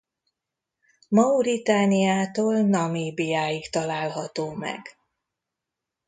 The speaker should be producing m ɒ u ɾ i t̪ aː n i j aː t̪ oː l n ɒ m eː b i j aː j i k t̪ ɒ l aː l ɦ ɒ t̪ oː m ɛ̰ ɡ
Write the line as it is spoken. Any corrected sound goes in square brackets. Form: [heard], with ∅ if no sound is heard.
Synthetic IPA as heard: m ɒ u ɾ i t̪ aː n i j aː t̪ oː l n ɒ m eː b i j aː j i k t̪ ɒ l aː l ɦ ɒ t̪ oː m ɛ̰ ɡ